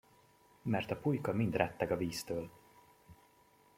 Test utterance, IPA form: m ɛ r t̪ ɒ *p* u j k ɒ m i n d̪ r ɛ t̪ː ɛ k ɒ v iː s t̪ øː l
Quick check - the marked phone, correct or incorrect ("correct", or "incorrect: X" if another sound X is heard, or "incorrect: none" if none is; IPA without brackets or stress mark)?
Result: correct